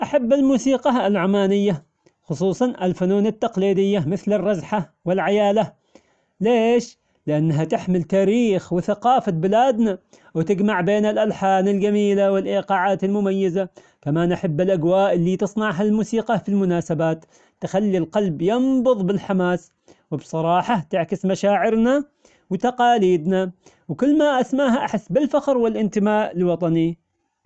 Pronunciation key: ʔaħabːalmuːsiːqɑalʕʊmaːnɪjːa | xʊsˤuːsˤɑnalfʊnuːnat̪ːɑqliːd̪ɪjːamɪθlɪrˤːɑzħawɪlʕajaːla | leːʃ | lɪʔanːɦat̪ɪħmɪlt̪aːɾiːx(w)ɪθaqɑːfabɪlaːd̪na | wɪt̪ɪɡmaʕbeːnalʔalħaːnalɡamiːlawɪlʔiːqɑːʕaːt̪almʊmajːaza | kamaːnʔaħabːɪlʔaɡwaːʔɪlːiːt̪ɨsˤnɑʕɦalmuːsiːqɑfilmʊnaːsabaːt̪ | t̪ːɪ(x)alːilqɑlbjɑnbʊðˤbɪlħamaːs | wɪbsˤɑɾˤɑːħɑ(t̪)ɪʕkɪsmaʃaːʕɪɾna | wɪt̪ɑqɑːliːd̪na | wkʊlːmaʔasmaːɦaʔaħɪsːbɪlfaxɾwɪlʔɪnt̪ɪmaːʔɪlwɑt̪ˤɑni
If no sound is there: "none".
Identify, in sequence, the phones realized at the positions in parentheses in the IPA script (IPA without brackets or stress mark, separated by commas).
w, x, t̪